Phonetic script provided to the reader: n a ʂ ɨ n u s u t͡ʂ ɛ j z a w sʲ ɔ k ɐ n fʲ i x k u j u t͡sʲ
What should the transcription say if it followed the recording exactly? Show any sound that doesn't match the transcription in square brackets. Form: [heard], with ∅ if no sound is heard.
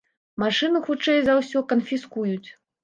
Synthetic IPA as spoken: [m] a ʂ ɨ n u [x] u t͡ʂ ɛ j z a w sʲ ɔ k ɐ n fʲ i [s] k u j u t͡sʲ